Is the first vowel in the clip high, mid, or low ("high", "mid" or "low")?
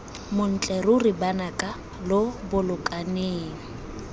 high